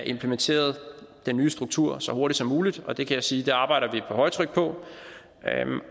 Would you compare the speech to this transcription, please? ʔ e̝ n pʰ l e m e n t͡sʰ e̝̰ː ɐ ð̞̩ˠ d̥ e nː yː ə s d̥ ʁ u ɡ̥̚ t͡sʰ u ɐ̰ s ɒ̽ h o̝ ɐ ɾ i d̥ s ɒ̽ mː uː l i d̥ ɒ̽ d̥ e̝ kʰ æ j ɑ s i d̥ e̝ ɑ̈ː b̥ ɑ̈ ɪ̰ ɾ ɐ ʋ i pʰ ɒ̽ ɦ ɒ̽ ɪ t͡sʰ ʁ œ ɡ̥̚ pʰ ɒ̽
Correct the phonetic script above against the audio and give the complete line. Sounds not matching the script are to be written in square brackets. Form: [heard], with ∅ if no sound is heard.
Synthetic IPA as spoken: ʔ e̝ [m] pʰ l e m e n t͡sʰ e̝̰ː ɐ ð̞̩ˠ d̥ e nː yː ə s d̥ ʁ u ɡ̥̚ t͡sʰ u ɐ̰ s ɒ̽ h o̝ ɐ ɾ i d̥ s ɒ̽ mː uː l i d̥ ɒ̽ d̥ e̝ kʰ æ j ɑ s [iː] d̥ e̝ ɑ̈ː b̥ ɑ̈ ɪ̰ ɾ ɐ ʋ i pʰ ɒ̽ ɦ ɒ̽ ɪ t͡sʰ ʁ œ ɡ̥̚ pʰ ɒ̽